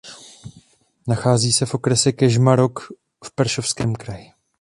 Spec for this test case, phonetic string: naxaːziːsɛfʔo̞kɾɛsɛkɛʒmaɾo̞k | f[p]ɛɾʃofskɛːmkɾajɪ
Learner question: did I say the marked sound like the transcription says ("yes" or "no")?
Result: yes